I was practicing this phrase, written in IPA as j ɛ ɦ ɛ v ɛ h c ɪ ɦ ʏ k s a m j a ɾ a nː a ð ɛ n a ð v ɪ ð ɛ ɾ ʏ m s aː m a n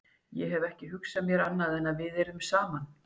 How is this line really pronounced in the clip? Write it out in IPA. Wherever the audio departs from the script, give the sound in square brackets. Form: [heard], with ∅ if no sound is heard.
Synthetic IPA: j ɛ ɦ ɛ v ɛ h c ɪ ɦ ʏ k s a m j [ɛ] ɾ a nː a ð ɛ n a ð v ɪ ð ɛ ɾ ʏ m s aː m a n